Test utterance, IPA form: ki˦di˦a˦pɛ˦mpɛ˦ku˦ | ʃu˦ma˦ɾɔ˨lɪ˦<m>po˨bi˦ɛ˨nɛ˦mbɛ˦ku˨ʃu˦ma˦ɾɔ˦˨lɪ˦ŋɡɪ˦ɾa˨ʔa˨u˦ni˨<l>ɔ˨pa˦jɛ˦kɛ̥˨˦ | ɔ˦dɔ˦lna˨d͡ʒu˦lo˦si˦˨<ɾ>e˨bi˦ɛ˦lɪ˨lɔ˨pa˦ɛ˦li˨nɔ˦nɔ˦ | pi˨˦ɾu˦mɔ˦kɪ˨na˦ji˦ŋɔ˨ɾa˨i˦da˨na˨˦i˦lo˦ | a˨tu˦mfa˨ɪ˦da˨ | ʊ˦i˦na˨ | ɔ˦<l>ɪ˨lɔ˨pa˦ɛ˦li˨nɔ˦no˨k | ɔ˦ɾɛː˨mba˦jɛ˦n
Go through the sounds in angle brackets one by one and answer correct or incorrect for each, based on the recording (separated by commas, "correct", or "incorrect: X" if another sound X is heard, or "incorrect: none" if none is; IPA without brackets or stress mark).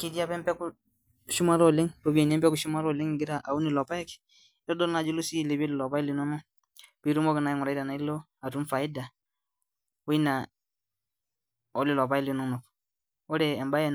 incorrect: ŋ, correct, incorrect: l, correct